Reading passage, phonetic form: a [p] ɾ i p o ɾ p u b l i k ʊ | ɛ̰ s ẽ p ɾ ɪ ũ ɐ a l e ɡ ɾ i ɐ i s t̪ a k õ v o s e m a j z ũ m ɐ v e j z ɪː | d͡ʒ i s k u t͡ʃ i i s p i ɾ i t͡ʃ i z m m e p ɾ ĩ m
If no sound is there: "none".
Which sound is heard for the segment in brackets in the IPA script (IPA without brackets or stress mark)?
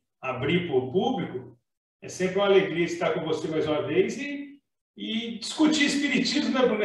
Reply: b